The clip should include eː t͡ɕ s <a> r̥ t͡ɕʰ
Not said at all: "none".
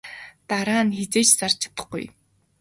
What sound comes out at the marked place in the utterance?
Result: a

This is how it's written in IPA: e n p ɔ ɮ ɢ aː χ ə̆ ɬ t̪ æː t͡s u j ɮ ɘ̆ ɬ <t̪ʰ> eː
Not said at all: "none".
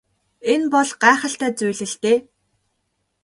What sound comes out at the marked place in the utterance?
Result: t̪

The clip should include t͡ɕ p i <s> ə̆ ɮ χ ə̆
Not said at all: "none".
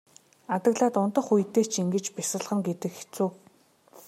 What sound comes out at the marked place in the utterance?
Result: s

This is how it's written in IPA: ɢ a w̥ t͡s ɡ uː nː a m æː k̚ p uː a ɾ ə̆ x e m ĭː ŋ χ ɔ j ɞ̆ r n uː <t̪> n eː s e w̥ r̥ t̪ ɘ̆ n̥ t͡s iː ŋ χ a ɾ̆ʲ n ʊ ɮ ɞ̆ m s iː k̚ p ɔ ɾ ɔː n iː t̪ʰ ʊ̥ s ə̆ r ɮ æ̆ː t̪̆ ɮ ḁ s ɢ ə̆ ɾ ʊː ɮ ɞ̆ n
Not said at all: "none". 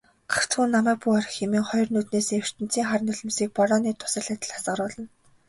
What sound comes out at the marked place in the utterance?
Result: t̪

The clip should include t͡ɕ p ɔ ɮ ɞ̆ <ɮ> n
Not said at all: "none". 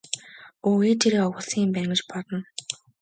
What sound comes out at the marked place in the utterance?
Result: none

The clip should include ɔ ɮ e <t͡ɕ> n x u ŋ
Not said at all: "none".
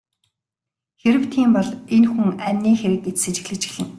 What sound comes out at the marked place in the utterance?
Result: none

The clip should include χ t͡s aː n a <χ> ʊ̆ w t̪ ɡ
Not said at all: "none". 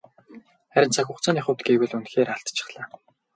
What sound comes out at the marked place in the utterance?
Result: χ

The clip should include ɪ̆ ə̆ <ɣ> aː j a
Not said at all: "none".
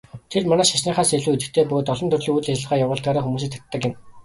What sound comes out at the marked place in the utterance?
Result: ʁ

